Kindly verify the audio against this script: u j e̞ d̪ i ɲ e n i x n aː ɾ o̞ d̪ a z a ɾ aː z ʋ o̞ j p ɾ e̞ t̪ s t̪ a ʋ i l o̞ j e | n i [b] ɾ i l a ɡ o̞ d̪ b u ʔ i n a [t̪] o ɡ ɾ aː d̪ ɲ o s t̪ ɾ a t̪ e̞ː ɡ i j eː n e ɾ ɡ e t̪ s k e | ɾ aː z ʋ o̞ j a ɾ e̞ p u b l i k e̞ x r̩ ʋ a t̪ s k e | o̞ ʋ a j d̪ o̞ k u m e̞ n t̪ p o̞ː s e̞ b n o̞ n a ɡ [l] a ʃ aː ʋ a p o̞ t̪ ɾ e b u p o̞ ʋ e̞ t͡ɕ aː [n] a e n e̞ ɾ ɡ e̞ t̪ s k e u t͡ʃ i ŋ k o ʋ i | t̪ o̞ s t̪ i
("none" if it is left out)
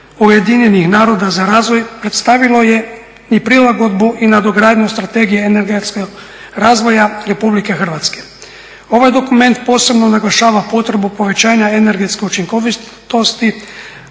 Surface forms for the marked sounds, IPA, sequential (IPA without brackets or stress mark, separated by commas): p, d̪, l, ɲ